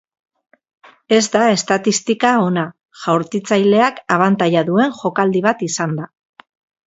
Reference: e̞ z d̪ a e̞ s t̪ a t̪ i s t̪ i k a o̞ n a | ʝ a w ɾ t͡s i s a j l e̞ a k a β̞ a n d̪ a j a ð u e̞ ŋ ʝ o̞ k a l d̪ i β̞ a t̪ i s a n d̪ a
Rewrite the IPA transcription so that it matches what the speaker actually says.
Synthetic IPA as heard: e̞ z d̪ a e̞ s t̪ a t̪ i s t̪ i k a o̞ n a | ʝ a w ɾ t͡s i t͡s a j l e̞ a k a β̞ a n t̪ a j a ð u e̞ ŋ ʝ o̞ k a l d̪ i β̞ a t̪ i s a n d̪ a